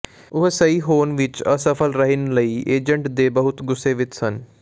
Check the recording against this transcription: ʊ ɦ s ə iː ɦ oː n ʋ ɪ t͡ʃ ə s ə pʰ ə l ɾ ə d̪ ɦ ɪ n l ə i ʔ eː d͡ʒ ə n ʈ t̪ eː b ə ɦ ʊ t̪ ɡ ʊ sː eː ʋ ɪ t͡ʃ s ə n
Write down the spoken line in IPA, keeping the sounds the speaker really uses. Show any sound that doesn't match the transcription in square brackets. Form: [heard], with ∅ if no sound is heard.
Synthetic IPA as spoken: ʊ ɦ s ə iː ɦ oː n ʋ ɪ t͡ʃ ə s ə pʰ ə l ɾ ə [∅] ɦ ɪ n l ə [iː] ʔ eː d͡ʒ ə [ɳ] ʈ [d̪] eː b ə ɦ ʊ t̪ ɡ ʊ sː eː ʋ ɪ t͡ʃ s ə n